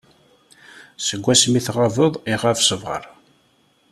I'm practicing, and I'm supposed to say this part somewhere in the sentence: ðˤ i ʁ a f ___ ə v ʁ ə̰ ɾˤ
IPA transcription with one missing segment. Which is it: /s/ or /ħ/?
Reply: s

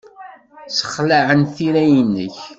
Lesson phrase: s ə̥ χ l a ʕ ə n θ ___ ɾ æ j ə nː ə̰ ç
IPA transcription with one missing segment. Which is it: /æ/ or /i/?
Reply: i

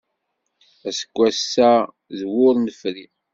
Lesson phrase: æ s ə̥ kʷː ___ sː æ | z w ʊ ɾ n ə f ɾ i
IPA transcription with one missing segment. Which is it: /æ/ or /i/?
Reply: æ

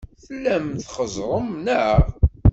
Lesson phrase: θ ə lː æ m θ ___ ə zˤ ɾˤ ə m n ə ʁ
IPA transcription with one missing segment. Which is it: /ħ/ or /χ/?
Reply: χ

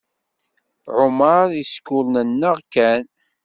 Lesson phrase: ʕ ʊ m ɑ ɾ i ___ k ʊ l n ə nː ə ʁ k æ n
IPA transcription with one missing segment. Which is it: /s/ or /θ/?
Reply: s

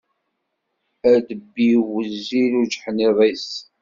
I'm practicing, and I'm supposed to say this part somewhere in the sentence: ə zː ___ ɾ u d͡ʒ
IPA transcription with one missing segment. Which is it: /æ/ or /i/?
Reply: i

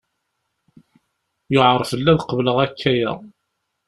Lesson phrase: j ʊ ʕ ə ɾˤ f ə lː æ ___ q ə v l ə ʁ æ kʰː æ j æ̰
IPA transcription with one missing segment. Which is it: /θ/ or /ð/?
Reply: ð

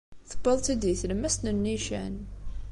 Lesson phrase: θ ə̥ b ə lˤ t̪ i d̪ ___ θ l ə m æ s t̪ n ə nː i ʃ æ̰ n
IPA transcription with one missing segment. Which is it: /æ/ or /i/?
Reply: i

